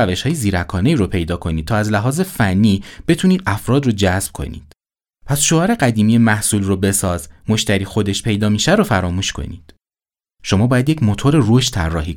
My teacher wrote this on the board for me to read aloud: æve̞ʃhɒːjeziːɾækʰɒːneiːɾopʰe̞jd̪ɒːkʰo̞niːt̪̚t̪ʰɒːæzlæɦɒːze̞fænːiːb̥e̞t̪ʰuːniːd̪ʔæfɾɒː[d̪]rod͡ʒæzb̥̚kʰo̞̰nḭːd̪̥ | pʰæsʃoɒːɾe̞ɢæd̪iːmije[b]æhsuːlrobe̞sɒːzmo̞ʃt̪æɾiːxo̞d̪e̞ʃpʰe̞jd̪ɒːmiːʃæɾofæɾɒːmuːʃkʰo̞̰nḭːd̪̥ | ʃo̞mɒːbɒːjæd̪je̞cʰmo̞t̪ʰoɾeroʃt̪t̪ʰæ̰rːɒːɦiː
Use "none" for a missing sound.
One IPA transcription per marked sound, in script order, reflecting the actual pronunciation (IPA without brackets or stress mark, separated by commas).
d̪, m